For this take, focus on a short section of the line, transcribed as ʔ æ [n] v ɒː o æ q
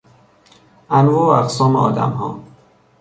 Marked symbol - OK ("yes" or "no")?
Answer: yes